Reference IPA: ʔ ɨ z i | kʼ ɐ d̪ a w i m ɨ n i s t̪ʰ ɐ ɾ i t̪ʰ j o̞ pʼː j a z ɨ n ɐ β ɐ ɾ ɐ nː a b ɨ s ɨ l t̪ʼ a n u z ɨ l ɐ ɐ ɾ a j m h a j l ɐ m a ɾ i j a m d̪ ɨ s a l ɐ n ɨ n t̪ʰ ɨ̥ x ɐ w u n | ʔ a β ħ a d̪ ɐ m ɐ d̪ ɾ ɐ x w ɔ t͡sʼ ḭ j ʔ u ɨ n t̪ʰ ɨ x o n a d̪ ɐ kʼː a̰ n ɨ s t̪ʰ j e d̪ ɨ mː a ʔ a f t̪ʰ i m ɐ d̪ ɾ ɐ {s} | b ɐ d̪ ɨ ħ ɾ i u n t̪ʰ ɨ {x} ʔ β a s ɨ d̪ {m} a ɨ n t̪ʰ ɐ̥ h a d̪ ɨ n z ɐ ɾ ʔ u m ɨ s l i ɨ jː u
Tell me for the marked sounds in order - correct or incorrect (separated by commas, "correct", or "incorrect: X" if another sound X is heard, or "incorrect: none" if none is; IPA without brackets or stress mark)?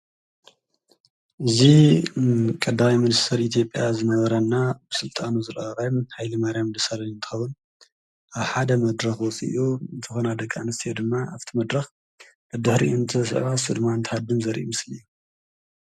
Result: incorrect: x, incorrect: s, correct